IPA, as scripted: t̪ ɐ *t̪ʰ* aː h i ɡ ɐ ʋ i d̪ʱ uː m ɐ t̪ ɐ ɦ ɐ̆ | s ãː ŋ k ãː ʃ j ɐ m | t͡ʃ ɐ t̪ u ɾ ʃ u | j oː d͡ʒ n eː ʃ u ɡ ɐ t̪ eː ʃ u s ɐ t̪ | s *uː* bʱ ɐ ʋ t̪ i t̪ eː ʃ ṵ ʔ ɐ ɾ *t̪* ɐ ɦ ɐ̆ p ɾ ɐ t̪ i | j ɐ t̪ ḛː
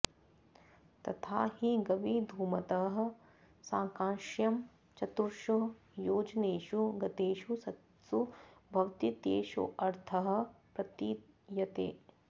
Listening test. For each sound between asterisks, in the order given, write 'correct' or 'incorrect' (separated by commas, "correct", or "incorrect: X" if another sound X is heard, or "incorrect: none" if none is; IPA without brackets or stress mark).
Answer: correct, incorrect: u, incorrect: t̪ʰ